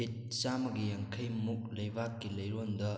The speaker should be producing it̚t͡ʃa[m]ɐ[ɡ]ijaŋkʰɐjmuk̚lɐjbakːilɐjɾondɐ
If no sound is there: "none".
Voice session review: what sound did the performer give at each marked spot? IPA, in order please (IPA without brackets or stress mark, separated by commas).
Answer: m, ɡ